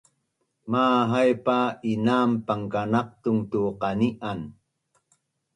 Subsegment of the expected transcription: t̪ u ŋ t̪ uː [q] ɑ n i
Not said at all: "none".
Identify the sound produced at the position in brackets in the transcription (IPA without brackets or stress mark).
q